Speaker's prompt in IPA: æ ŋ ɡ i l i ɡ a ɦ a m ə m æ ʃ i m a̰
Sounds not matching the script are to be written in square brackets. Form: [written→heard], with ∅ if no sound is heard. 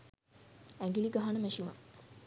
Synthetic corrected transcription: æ ŋ ɡ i l i ɡ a ɦ a [m→n] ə m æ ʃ i m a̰

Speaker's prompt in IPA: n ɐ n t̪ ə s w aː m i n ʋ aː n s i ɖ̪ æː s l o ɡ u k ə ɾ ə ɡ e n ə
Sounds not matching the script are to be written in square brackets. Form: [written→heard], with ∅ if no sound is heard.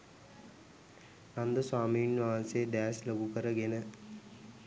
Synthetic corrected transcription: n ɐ n [t̪→d̪] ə s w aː m i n ʋ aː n s [i→e] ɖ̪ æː s l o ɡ u k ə ɾ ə ɡ e n ə

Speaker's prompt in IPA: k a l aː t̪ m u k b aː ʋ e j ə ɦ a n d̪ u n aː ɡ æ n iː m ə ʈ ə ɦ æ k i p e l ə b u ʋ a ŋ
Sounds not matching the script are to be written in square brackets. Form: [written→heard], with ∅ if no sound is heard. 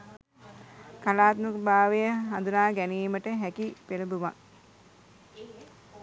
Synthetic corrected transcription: k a l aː t̪ m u k b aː ʋ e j ə ɦ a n d̪ u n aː ɡ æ n iː m ə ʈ ə ɦ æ k i p e l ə b u ʋ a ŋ

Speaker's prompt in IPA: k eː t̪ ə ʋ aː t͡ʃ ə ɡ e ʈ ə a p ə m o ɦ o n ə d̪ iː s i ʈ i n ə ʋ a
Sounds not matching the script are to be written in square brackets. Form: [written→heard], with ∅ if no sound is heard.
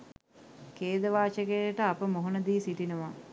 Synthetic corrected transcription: k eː [t̪→d̪] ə ʋ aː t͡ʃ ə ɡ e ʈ ə a p ə m o ɦ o n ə d̪ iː s i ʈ i n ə ʋ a

